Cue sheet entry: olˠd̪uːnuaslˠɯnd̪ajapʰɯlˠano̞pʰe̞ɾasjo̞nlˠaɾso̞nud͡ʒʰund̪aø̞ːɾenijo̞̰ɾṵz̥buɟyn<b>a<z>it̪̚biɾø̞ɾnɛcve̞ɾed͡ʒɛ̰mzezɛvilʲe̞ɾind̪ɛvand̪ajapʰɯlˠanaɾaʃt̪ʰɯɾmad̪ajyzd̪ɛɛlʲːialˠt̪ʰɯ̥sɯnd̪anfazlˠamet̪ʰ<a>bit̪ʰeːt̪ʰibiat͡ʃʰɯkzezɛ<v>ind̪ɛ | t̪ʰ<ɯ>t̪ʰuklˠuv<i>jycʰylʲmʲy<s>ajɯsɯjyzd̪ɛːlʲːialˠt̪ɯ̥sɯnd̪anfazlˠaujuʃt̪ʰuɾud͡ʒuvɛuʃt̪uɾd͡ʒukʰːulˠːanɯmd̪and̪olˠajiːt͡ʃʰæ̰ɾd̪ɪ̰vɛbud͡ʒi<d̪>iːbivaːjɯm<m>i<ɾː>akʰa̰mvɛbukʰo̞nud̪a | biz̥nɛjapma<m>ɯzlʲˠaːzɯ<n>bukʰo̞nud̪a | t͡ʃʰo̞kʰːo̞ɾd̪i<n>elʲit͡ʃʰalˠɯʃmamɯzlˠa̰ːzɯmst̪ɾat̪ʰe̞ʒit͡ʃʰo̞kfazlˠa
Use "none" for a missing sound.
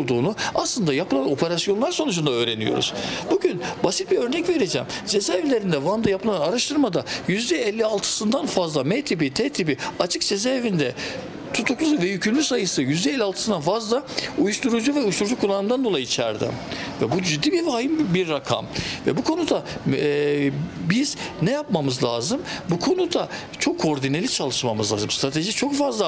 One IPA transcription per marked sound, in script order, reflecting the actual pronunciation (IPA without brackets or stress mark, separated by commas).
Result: b, s, i, v, u, ɛ, s, d̪ː, b, ɾː, m, m, n